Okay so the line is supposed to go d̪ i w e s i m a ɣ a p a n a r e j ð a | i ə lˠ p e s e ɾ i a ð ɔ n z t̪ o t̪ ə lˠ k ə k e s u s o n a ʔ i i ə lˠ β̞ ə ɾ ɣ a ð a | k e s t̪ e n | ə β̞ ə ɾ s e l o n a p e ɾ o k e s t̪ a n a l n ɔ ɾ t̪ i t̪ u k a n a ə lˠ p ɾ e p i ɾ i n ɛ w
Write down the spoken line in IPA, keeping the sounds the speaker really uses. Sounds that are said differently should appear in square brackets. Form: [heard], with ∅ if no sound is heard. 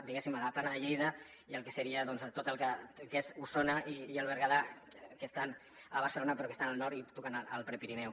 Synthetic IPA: d̪ i [ɣ] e s i m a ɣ a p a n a [ʎ] e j ð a | i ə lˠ [k] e s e ɾ i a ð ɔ n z t̪ o t̪ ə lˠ k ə k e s u s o n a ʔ i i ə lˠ β̞ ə ɾ ɣ a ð a | k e s t̪ [a] n | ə β̞ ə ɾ s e l o n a p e ɾ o k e s t̪ a n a l n ɔ ɾ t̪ i t̪ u k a n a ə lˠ p ɾ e p i ɾ i n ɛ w

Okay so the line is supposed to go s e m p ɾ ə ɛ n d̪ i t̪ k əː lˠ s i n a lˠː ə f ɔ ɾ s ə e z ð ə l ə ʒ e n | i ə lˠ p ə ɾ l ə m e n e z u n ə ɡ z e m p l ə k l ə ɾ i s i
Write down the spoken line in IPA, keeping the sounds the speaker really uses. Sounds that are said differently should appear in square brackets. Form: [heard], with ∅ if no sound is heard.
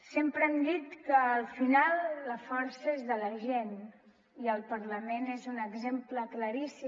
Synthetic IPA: s e m p ɾ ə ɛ [m] d̪ i t̪ k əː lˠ [f] i n a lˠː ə f ɔ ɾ s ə e z ð ə l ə ʒ e n | i ə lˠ p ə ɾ l ə m e n e z u n ə ɡ z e m p l ə k l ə ɾ i s i

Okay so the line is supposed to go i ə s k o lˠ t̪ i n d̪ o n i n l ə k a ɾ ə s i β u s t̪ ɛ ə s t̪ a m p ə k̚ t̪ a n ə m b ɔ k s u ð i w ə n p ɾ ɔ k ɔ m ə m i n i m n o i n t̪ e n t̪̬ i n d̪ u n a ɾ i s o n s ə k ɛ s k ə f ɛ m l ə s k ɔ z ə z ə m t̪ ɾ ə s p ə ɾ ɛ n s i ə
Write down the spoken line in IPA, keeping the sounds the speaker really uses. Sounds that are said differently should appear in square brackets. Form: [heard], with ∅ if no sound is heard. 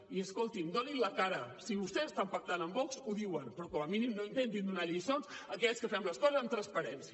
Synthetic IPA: i ə s k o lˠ t̪ i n d̪ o n i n l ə k a ɾ ə s i β u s t̪ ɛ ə s t̪ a m p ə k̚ t̪ a n ə m b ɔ k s u ð i w ə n p ɾ ɔ k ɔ m ə m i n i m n o i n t̪ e n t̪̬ i n d̪ u n a [ʎ] i s o n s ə k ɛ s k ə f ɛ m l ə s k ɔ z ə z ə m t̪ ɾ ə s p ə ɾ ɛ n s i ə

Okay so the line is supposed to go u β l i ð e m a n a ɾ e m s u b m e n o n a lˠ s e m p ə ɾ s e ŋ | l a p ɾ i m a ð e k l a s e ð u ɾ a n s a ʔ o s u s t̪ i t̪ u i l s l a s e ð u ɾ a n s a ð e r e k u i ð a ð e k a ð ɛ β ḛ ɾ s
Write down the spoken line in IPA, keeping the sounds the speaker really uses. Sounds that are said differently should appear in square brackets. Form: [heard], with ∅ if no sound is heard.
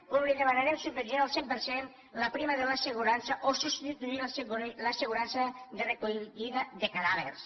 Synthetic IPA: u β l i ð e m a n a ɾ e m s u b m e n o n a lˠ s e m p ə ɾ s e [n] | l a p ɾ i m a ð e [∅] l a s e [ɣ] u ɾ a n s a ʔ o s u s t̪ i t̪ u i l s l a s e [ɣ] u ɾ a n s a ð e r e k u i ð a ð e k a ð [a] β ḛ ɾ s

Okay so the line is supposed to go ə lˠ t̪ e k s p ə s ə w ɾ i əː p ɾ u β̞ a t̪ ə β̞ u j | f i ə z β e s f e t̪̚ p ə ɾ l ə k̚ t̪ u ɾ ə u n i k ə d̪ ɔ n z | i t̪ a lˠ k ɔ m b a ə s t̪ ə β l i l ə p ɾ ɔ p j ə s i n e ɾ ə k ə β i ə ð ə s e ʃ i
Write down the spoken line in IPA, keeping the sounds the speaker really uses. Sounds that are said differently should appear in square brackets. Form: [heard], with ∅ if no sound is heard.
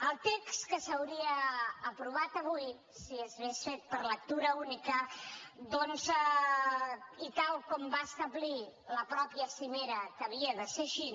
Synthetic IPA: ə lˠ t̪ e k s [k] ə s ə w ɾ i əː p ɾ u β̞ a t̪ ə β̞ u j | [s] i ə z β e s f e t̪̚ p ə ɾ l ə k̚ t̪ u ɾ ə u n i k ə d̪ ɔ n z | i t̪ a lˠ k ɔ m b a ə s t̪ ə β l i l ə p ɾ ɔ p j ə s i [m] e ɾ ə k ə β i ə ð ə s e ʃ i

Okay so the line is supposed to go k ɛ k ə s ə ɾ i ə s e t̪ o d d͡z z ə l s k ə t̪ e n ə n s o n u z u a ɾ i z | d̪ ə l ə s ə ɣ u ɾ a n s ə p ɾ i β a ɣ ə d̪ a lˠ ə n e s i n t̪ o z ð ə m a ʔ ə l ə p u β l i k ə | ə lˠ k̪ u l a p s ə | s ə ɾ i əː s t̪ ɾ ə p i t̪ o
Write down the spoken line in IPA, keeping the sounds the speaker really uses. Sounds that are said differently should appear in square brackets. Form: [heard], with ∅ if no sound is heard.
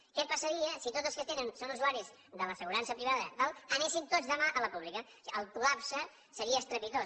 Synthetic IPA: k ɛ [p] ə s ə ɾ i ə s [i] t̪ o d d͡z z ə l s k ə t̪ e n ə n s o n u z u a ɾ i z | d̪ ə l ə s ə ɣ u ɾ a n s ə p ɾ i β a [ð] ə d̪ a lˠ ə n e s i n t̪ o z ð ə m a ʔ ə l ə p u β l i k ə | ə lˠ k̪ u l a p s ə | s ə ɾ i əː s t̪ ɾ ə p i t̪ o

